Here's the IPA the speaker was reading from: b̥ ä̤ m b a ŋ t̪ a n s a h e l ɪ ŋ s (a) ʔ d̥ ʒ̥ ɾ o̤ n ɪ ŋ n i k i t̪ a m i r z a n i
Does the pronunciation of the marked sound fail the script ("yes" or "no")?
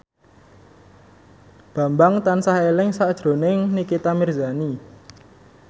no